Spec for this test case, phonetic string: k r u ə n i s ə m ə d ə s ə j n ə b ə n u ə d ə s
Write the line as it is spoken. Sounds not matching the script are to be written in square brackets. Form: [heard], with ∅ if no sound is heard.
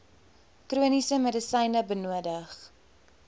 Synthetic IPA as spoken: k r u ə n i s ə m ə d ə s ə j n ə b ə n u ə d ə [χ]